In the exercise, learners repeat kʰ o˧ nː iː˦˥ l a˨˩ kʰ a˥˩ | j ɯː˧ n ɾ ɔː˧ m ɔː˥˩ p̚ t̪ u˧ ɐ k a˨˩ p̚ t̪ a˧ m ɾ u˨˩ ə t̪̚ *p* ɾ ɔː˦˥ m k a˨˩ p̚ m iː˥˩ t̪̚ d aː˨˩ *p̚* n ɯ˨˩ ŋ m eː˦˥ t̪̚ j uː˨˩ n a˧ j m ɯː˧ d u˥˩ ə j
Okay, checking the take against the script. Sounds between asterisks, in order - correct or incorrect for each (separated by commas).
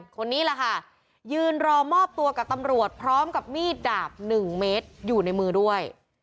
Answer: incorrect, correct